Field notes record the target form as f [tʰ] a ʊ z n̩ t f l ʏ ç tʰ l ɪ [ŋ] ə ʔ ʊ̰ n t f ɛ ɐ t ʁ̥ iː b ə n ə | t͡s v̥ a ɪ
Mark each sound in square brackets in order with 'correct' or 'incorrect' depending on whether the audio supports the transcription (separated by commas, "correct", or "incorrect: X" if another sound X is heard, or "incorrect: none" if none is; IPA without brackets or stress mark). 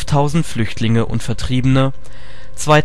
correct, correct